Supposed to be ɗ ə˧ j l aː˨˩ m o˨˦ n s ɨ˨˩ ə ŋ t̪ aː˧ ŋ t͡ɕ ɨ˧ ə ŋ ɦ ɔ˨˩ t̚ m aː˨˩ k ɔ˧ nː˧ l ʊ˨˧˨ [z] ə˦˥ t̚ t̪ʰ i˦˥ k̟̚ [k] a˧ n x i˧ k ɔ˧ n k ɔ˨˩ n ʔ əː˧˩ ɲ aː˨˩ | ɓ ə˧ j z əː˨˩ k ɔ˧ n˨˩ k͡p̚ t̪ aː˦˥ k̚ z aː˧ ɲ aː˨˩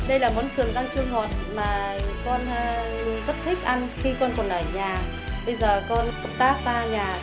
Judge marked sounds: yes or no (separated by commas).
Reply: yes, no